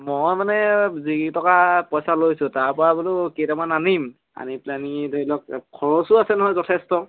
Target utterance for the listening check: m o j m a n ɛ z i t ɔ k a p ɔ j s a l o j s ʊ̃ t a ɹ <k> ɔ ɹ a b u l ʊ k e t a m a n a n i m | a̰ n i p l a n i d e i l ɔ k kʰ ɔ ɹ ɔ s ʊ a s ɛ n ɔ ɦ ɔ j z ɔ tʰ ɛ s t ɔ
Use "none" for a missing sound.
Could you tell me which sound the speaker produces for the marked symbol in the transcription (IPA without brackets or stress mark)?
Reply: p